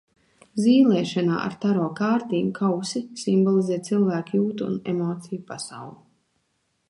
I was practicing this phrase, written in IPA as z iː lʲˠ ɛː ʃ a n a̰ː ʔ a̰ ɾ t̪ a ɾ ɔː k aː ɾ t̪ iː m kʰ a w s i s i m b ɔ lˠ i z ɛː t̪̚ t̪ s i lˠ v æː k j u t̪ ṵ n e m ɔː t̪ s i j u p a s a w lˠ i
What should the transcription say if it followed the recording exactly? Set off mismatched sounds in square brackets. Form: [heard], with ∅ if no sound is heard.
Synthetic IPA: z iː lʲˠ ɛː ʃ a n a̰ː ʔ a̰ ɾ t̪ a ɾ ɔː k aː ɾ t̪ iː m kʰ a w s i s i m b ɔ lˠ i z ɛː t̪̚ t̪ s i lˠ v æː k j [uː] t̪ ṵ n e m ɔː t̪ s i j u p a s a w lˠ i